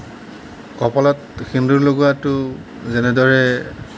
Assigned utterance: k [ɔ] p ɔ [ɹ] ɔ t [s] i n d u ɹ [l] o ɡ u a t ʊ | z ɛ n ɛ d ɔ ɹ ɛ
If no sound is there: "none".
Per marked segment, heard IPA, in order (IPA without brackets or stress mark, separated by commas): ɔ, l, x, l